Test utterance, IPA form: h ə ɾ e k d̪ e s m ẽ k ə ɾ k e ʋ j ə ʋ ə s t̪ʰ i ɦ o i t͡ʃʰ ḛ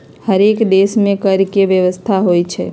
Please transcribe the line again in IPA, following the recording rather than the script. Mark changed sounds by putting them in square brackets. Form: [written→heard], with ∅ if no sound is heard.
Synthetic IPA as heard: h ə ɾ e k d̪ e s m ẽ k ə ɾ k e ʋ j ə ʋ ə s t̪ʰ [i→a] ɦ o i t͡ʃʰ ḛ